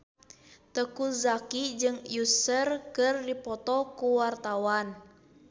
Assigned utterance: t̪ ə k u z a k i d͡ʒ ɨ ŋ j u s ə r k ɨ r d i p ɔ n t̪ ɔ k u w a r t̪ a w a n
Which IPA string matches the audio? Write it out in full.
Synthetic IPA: t̪ ə k u z a k i d͡ʒ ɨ ŋ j u s ə r k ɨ r d i p ɔ t̪ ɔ k u w a r t̪ a w a n